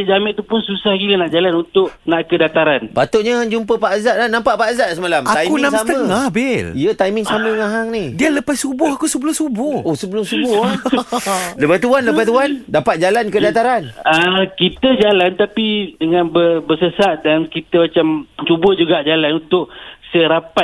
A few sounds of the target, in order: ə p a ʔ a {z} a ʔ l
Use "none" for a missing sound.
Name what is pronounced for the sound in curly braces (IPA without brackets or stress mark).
z